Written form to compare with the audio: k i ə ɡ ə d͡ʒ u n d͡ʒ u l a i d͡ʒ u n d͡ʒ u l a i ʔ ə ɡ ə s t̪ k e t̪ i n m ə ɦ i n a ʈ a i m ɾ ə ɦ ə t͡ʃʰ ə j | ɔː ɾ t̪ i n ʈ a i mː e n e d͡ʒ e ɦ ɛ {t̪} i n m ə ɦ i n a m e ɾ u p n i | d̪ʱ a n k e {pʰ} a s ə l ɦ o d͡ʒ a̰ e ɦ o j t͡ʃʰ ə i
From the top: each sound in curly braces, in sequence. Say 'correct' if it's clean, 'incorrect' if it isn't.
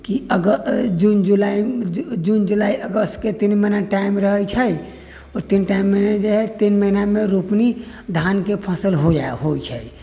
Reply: correct, correct

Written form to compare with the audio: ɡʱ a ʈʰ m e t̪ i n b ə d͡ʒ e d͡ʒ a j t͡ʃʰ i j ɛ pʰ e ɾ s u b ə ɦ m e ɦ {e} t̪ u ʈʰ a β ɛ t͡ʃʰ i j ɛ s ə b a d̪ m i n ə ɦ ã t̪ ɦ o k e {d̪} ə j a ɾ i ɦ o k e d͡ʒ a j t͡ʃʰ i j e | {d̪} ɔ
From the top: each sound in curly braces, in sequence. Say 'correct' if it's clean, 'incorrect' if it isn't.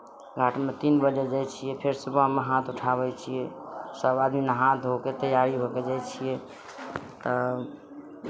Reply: incorrect: a, incorrect: t̪, incorrect: t̪

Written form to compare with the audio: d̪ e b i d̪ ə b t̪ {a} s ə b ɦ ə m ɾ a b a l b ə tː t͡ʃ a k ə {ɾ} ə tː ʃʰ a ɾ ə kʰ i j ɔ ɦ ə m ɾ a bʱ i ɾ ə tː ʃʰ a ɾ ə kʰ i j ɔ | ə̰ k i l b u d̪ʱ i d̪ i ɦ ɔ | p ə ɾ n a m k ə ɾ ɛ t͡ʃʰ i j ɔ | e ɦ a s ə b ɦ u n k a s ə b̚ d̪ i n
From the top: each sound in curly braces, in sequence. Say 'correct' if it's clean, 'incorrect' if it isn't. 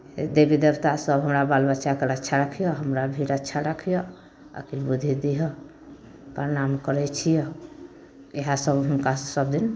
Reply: correct, correct

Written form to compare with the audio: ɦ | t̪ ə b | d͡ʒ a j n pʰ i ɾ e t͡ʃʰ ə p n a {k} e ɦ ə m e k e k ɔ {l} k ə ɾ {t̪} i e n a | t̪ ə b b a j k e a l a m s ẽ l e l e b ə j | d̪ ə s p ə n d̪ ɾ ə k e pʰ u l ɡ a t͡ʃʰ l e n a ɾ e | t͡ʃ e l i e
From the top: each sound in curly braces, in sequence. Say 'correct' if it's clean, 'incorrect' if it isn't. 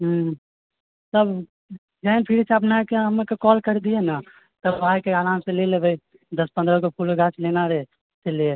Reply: correct, correct, incorrect: d̪

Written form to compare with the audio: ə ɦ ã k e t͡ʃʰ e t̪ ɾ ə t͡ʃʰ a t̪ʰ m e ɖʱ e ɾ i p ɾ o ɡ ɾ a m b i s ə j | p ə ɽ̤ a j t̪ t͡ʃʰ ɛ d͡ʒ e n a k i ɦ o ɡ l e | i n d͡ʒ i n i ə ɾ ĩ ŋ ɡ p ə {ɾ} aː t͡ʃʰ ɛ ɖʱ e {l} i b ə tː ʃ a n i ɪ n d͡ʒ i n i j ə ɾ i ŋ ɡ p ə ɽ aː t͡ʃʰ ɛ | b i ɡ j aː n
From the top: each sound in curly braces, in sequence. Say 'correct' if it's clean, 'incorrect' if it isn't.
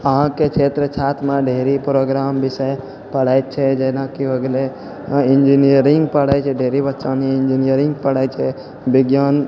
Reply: incorrect: ɽ, incorrect: ɾ

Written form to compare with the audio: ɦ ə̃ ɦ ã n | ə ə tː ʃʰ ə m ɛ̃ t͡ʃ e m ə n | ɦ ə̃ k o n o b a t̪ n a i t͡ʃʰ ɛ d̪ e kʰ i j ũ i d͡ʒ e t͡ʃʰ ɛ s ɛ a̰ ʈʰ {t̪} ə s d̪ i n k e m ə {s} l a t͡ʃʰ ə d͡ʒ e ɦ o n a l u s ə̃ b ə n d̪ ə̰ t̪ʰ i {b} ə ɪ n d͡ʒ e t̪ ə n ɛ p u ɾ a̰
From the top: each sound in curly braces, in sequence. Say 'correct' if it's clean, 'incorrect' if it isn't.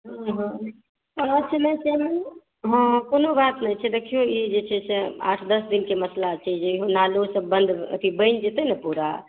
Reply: incorrect: d̪, correct, correct

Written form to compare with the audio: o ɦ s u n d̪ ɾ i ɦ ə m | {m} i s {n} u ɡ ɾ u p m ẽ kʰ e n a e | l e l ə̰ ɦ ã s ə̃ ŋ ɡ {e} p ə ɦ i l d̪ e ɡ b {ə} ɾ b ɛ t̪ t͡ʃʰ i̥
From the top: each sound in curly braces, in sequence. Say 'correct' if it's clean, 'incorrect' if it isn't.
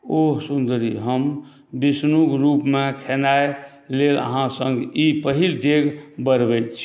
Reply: incorrect: b, correct, incorrect: i, correct

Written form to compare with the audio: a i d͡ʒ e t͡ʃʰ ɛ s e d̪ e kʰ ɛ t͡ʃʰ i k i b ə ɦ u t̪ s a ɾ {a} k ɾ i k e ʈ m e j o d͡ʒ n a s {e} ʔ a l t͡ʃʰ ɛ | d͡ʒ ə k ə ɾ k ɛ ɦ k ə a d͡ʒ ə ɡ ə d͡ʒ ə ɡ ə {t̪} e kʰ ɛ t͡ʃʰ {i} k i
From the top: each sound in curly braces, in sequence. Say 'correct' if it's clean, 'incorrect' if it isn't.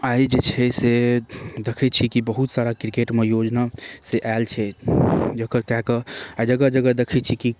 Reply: correct, correct, incorrect: d̪, correct

